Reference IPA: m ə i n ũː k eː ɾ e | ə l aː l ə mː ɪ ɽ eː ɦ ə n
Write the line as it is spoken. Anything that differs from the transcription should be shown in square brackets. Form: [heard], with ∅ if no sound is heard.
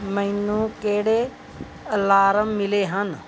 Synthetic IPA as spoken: m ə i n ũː k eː [ɽ] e | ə l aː [ɾ] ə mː ɪ [l] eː ɦ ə n